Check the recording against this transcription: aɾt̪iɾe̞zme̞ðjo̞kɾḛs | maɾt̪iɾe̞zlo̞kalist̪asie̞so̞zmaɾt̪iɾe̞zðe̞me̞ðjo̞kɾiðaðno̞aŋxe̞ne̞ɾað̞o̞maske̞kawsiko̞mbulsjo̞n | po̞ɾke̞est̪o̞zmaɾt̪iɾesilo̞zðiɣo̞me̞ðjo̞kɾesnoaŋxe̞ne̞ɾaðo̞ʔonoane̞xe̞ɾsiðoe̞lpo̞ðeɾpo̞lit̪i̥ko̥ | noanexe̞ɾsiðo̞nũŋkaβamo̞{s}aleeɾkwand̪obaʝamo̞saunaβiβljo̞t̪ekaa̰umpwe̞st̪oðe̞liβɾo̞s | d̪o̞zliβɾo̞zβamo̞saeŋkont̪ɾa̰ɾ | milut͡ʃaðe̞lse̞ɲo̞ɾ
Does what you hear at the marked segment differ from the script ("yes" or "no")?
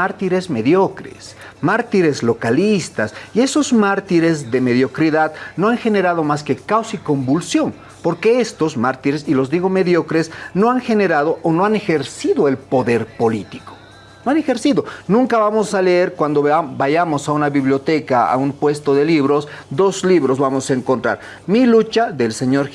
no